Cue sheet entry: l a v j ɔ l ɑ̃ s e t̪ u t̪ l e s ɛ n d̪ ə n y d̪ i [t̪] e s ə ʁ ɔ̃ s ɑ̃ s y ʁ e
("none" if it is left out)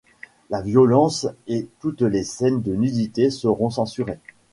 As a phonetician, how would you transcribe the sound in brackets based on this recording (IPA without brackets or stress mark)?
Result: t̪